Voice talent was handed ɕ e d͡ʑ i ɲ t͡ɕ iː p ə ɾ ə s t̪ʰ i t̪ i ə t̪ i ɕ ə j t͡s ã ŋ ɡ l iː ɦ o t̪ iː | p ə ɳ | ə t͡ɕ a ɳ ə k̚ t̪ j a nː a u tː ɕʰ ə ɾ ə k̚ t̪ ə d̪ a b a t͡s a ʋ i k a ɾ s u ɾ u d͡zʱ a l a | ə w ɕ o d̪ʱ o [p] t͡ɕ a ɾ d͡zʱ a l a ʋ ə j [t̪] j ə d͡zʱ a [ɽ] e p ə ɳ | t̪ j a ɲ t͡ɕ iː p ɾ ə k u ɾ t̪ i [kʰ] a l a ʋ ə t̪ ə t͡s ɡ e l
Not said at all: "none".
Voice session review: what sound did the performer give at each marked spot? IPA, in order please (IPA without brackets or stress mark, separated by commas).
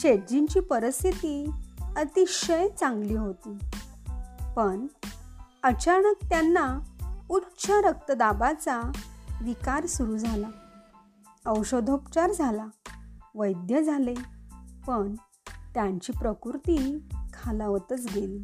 p, d̪, l, kʰ